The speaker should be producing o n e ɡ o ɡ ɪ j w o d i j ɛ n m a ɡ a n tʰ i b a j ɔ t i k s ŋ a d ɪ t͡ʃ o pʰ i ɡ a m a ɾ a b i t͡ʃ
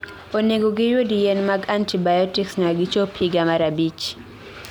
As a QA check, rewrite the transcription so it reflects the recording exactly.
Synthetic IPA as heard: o n e ɡ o ɡ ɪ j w o d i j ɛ n m a ɡ a n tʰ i b a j ɔ t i k s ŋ a ɡ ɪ t͡ʃ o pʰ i ɡ a m a ɾ a b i t͡ʃ